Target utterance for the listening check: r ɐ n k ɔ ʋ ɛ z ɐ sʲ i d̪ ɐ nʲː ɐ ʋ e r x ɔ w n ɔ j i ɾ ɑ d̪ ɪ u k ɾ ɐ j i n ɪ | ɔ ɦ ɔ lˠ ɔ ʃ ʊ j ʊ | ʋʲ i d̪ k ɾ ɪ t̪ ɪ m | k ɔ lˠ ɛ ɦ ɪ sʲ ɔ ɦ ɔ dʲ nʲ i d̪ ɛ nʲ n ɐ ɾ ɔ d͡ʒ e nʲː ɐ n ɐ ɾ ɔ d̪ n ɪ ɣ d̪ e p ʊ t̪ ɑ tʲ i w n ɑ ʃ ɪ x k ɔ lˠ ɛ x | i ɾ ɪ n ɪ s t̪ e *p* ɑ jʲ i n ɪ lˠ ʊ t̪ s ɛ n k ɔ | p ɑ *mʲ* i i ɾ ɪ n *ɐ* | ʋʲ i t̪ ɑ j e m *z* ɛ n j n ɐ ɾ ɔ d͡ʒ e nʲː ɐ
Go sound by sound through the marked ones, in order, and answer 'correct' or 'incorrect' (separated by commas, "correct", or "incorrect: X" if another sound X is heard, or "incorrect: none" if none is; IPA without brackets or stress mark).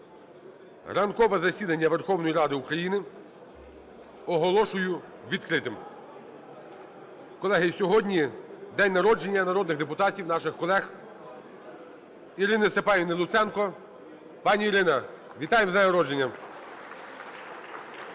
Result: correct, incorrect: nʲ, correct, correct